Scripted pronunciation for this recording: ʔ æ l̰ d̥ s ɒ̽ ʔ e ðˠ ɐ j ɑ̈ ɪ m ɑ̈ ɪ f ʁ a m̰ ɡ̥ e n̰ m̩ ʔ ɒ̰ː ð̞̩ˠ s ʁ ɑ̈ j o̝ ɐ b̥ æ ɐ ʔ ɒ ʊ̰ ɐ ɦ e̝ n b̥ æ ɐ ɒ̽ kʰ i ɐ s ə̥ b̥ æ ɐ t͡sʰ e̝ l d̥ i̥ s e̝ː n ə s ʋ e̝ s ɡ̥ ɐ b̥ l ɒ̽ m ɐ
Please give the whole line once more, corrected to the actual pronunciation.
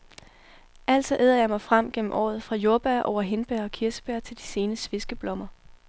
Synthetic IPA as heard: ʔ æ l̰ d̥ s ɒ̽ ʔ e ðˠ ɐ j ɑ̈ ɪ m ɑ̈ ɪ f ʁ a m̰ ɡ̥ e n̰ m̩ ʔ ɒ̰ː ð̞̩ˠ f ʁ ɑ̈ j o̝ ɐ b̥ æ ɐ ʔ ɒ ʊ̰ ɐ ɦ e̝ n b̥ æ ɐ ɒ̽ kʰ i ɐ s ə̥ b̥ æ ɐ t͡sʰ e̝ l d̥ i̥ s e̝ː n ə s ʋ e̝ s ɡ̥ ə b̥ l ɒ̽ m ɐ